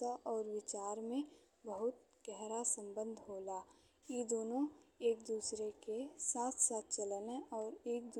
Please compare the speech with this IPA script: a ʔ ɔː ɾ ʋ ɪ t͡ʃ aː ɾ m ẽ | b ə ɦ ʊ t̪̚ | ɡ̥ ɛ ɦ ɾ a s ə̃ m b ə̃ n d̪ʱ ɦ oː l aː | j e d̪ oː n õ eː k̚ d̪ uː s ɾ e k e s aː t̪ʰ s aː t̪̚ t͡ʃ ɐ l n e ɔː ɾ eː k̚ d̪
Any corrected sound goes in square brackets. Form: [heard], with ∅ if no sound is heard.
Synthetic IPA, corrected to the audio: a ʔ ɔː ɾ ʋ ɪ t͡ʃ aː ɾ m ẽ | b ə ɦ ʊ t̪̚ | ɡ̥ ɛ ɦ ɾ a s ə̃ m b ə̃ n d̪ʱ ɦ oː l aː | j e d̪ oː n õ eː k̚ d̪ uː s ɾ e k e s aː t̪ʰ s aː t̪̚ t͡ʃ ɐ l n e ɔː ɾ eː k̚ d̪